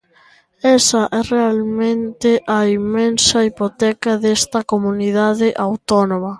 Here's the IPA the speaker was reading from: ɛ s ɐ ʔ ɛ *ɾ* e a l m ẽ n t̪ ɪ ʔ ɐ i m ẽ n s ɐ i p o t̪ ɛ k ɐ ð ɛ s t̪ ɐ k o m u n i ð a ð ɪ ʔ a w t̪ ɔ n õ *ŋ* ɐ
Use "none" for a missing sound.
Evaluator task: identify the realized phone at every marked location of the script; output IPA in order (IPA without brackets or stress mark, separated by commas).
r, m